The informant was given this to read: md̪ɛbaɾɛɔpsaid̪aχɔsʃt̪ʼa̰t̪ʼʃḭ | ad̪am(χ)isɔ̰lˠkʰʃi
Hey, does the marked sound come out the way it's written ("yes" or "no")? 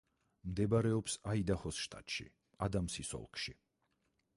no